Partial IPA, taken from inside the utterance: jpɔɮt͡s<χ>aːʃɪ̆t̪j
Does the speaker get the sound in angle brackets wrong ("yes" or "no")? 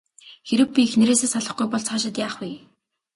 no